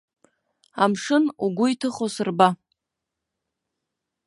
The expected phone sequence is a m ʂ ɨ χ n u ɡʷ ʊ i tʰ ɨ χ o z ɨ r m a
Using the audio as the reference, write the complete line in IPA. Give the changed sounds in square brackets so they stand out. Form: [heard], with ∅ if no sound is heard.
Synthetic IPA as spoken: a m ʂ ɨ [∅] n u ɡʷ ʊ i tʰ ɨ χ o [s] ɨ r [b] a